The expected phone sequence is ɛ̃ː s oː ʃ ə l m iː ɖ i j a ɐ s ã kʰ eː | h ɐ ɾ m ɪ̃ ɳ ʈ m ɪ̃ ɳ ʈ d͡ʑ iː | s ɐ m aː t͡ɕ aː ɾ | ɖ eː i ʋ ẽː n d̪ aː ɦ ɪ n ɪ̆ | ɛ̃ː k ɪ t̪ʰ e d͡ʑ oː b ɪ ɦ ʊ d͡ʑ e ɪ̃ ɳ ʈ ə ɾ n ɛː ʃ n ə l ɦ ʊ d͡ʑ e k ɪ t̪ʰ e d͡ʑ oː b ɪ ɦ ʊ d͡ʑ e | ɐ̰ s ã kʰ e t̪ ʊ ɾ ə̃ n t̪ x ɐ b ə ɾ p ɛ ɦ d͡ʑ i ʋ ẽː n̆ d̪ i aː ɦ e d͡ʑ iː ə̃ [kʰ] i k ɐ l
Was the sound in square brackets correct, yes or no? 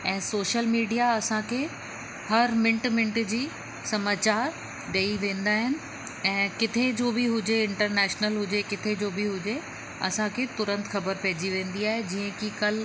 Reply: no